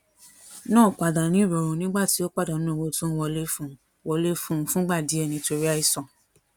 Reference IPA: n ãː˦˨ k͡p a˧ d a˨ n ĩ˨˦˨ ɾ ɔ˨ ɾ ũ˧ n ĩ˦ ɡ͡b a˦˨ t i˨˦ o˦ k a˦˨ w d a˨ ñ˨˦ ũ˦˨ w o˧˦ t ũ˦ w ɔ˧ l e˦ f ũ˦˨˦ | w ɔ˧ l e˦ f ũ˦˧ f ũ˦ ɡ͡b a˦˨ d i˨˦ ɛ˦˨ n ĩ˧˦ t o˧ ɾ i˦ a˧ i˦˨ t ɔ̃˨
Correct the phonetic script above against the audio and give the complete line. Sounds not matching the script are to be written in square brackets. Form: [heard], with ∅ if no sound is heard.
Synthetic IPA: n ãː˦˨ k͡p a˧ d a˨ n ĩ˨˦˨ ɾ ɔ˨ ɾ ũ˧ n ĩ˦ ɡ͡b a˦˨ t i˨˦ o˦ [k͡p] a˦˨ [∅] d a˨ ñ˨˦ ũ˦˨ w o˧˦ t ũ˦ w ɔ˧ l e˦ f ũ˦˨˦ | w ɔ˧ l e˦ f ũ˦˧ f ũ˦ ɡ͡b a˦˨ d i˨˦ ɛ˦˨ n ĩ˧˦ t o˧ ɾ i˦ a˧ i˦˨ [s] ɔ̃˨